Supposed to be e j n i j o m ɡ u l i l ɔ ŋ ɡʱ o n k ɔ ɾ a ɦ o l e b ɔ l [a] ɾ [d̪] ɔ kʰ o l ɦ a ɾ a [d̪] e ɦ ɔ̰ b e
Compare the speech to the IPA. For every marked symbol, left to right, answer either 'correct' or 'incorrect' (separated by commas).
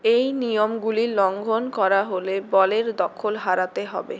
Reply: incorrect, correct, incorrect